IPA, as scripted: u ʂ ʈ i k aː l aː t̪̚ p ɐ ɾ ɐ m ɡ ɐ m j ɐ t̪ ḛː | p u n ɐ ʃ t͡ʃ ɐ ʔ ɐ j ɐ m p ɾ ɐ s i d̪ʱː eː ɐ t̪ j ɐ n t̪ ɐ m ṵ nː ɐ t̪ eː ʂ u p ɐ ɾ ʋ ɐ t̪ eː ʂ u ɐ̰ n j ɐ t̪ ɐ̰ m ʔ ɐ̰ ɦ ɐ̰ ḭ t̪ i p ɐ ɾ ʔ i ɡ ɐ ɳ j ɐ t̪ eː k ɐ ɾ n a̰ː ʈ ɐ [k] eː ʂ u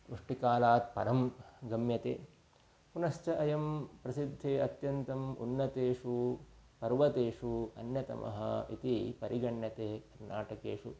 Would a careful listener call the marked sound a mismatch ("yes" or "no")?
no